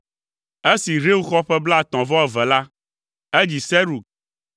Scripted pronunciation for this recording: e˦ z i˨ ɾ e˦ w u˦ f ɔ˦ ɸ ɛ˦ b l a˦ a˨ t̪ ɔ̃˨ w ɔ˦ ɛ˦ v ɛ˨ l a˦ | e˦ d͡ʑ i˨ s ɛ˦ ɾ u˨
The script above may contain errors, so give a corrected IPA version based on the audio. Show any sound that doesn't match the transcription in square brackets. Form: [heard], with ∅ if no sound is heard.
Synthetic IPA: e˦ [s] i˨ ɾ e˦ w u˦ [x] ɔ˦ ɸ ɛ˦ b l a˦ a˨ t̪ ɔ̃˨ [v] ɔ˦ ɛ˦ v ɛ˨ l a˦ | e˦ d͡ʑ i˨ s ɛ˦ ɾ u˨